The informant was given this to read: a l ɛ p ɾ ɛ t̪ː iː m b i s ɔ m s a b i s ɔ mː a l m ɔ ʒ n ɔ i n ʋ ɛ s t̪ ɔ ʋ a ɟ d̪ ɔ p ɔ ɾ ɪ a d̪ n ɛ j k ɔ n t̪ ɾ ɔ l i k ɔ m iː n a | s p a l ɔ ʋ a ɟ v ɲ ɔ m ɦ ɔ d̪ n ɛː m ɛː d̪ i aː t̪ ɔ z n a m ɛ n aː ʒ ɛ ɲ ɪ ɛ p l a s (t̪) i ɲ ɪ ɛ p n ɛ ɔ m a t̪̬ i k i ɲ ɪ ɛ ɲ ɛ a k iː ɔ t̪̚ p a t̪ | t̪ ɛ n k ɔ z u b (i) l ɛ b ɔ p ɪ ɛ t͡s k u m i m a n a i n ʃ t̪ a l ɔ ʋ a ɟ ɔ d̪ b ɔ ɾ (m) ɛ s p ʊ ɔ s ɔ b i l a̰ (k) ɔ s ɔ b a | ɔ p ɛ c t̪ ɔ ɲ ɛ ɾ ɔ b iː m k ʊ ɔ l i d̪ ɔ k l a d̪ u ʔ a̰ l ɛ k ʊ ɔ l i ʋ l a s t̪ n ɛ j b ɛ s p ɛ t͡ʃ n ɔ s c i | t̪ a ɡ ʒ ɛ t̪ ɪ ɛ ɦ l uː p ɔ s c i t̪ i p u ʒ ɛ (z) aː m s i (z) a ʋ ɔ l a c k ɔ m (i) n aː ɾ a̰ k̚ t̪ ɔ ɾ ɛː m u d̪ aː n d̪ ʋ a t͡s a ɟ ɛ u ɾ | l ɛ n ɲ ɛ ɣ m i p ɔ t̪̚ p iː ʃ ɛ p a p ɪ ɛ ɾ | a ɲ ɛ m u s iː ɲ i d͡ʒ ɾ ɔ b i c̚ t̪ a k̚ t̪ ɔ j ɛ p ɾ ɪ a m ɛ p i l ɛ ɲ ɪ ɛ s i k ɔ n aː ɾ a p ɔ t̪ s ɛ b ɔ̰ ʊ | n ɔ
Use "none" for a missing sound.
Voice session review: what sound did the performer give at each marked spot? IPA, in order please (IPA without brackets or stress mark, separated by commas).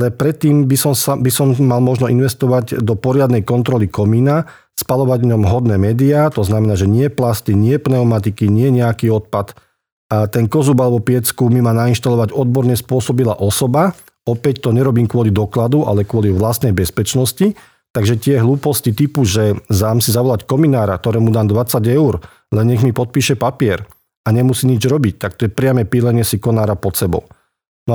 t̪, a, ɲ, ʔ, z, z, i